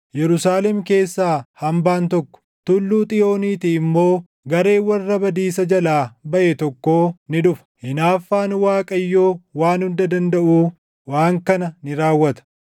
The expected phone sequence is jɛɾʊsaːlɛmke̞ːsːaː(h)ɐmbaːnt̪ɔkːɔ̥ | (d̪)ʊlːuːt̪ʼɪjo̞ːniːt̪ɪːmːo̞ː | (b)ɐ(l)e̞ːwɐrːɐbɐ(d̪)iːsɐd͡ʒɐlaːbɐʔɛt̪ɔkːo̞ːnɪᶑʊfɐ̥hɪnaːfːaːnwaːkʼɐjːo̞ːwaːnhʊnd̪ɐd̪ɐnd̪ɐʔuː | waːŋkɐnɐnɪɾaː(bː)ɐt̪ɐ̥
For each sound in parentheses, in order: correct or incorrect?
correct, incorrect, incorrect, incorrect, correct, incorrect

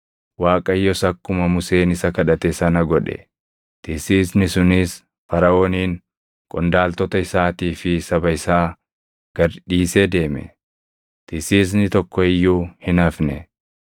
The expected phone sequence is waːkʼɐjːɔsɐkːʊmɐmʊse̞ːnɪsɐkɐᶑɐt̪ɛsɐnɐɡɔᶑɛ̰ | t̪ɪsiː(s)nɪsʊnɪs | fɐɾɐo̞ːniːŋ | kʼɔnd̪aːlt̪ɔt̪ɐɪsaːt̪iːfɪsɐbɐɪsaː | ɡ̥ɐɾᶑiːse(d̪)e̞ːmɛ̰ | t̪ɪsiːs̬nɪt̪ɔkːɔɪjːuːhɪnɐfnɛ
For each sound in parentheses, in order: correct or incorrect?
correct, correct

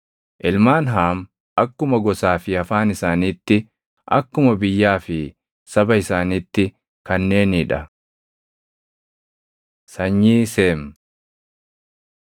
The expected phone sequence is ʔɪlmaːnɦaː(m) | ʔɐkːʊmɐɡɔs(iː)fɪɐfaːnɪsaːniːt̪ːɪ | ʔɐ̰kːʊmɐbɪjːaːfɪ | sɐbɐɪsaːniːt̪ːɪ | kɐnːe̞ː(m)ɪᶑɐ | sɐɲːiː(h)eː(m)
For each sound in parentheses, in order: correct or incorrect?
correct, incorrect, incorrect, incorrect, correct

